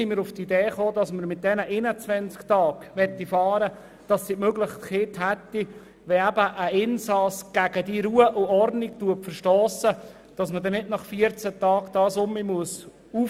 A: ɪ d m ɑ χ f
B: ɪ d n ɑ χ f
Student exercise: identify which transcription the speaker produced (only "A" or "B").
B